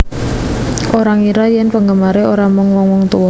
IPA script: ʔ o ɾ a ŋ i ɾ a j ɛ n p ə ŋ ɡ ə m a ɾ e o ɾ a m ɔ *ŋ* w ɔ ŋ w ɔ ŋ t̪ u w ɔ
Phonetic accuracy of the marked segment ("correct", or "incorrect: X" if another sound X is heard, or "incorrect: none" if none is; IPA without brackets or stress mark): correct